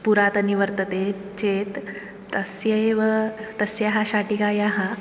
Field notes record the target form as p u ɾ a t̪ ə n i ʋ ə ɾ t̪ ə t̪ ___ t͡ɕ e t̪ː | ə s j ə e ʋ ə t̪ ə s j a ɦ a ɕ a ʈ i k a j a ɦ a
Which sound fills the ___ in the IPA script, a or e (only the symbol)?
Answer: e